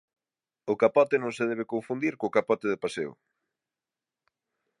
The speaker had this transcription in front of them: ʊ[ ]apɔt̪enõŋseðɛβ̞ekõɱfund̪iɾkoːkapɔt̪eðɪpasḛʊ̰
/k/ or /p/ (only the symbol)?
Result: k